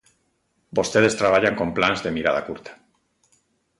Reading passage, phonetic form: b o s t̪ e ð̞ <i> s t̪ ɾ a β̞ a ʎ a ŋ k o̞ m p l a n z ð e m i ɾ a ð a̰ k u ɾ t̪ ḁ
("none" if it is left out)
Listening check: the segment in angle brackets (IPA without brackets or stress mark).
e